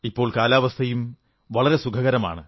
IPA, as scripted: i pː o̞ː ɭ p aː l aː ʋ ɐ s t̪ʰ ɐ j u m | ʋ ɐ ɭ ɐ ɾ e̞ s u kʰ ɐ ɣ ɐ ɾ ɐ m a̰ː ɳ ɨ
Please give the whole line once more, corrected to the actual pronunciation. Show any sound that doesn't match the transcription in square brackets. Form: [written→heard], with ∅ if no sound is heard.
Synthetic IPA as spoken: i pː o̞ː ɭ [p→k] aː l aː ʋ ɐ s t̪ʰ ɐ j u m | ʋ ɐ ɭ ɐ ɾ e̞ s u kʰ ɐ ɣ ɐ ɾ ɐ m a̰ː ɳ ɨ